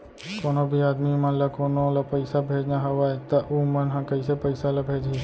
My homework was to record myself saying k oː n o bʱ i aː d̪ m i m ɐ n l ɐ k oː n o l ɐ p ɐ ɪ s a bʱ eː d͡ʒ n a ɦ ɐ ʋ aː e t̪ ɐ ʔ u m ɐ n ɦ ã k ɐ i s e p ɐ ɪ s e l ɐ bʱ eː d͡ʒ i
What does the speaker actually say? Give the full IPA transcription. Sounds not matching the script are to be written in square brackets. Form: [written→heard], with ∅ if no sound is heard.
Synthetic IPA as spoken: k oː n o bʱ i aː d̪ m i m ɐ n l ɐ k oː n o l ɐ p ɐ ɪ s a bʱ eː d͡ʒ n a ɦ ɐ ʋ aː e t̪ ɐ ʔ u m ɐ n ɦ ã k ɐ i s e p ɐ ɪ s [e→a] l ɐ bʱ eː d͡ʒ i